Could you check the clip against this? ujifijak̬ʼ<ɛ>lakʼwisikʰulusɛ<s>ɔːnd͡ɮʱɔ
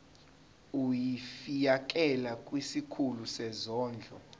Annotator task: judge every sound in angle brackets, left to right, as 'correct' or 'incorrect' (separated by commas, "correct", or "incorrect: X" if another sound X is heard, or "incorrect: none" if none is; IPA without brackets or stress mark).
correct, incorrect: z